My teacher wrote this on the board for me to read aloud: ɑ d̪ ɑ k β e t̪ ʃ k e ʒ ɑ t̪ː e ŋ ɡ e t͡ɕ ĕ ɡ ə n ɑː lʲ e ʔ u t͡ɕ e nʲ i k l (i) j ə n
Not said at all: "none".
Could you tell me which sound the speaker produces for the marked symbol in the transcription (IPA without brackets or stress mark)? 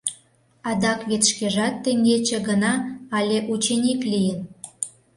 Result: i